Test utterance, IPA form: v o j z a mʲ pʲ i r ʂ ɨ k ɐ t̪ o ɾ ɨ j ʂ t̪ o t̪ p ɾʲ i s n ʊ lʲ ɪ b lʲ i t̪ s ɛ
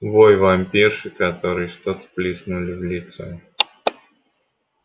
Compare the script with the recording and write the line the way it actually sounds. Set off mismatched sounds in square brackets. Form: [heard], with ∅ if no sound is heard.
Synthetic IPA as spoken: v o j [v] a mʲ pʲ i r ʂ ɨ k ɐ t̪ o ɾ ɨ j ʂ t̪ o t̪ p [lʲ] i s n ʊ lʲ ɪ [v] lʲ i t̪ s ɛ